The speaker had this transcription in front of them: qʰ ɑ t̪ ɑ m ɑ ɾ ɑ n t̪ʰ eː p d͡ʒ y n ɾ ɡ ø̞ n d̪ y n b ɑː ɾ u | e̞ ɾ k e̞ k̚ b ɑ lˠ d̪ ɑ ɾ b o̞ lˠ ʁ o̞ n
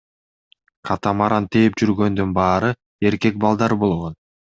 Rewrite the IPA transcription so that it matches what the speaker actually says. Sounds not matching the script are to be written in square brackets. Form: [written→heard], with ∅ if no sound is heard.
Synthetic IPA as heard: qʰ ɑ t̪ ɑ m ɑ ɾ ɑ n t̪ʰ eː p d͡ʒ y [n→∅] ɾ ɡ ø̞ n d̪ y n b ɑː ɾ [u→ɯ] | e̞ ɾ k e̞ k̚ b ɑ lˠ d̪ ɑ ɾ b o̞ lˠ ʁ o̞ n